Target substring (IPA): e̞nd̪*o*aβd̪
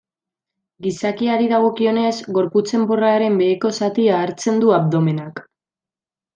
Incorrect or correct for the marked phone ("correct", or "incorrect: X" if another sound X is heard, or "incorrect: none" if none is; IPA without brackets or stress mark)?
incorrect: u